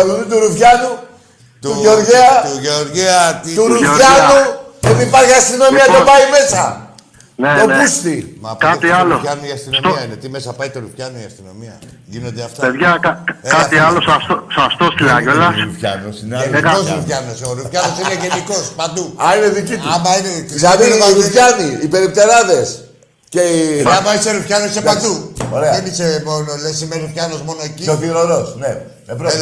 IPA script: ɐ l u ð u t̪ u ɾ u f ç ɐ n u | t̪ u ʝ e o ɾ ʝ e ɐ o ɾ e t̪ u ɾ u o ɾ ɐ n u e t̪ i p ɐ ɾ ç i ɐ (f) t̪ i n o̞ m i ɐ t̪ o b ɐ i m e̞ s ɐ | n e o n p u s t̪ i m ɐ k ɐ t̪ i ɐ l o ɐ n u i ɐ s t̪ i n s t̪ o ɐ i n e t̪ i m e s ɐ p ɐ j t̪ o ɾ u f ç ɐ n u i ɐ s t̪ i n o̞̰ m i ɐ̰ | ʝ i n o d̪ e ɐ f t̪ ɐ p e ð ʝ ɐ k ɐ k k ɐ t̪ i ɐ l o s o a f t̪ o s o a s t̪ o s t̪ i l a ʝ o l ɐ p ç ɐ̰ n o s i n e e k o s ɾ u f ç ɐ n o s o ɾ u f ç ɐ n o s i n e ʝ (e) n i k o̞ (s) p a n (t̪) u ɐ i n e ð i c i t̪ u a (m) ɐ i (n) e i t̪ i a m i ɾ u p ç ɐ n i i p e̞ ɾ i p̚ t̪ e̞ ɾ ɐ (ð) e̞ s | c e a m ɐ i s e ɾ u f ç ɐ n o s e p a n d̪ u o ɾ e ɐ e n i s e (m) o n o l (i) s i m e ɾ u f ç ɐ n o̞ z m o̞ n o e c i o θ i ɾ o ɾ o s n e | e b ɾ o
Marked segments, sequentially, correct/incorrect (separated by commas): incorrect, correct, correct, incorrect, correct, correct, correct, correct, incorrect